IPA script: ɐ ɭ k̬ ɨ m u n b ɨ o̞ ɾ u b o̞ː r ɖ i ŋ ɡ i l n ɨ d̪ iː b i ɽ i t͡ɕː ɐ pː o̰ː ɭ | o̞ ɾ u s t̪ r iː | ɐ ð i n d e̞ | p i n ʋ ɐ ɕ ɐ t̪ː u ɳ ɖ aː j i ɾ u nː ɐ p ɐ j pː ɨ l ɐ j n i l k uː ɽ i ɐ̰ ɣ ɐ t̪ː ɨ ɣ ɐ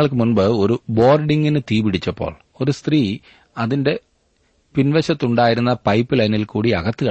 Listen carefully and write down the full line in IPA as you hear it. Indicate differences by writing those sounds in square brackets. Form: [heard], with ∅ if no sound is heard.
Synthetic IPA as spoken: ɐ ɭ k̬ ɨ m u n b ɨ o̞ ɾ u b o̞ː r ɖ i ŋ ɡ i [∅] n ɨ [t̪] iː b i ɽ i t͡ɕː ɐ pː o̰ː ɭ | o̞ ɾ u s t̪ r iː | ɐ ð i n d e̞ | p i n ʋ ɐ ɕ ɐ t̪ː u ɳ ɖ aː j i ɾ u nː ɐ p ɐ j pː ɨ l ɐ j n i l k uː ɽ i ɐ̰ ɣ ɐ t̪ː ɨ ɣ ɐ